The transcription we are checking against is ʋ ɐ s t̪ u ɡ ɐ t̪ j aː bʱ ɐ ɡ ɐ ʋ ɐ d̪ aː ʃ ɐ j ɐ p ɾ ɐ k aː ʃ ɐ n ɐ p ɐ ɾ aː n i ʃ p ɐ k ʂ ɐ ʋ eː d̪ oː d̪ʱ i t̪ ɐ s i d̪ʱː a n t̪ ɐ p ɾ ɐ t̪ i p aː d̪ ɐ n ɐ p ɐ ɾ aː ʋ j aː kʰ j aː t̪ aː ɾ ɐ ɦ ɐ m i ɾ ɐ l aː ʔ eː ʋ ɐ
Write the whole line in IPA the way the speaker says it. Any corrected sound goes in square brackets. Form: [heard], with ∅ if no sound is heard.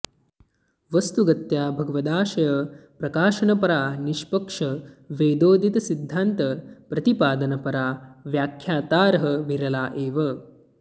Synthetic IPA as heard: ʋ ɐ s t̪ u ɡ ɐ t̪ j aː bʱ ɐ ɡ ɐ ʋ ɐ d̪ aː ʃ ɐ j ɐ p ɾ ɐ k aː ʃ ɐ n ɐ p ɐ ɾ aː n i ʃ p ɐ k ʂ ɐ ʋ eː d̪ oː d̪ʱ i t̪ ɐ s i d̪ʱː a n t̪ ɐ p ɾ ɐ t̪ i p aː d̪ ɐ n ɐ p ɐ ɾ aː ʋ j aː kʰ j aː t̪ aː ɾ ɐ ɦ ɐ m i ɾ ɐ l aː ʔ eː ʋ ɐ